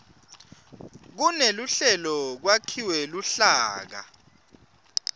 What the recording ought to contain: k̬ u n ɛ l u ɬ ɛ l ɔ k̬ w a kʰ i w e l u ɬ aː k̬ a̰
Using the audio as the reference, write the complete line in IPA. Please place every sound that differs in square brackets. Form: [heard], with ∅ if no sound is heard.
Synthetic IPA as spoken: k̬ u n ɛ l u ɬ ɛ l ɔ k̬ w a kʰ i w [ɛ] l u ɬ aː k̬ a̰

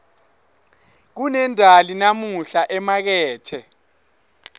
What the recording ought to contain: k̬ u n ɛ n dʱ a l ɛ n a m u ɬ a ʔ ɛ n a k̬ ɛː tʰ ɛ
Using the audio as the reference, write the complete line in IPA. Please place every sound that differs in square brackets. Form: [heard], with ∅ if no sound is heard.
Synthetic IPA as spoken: k̬ u n ɛ n dʱ a l [i] n a m u ɬ a ʔ ɛ [m] a k̬ ɛː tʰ ɛ

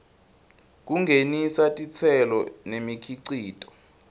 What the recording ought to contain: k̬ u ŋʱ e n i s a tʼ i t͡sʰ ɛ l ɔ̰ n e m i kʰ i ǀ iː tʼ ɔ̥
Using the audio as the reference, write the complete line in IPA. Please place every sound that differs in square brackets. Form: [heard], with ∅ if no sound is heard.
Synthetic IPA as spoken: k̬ u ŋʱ e n i s a tʼ i t͡sʰ ɛ l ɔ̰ n e m i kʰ i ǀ iː tʼ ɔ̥

